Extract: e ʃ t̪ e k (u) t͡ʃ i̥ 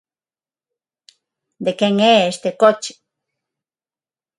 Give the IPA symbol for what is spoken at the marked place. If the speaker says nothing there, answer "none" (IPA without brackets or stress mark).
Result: o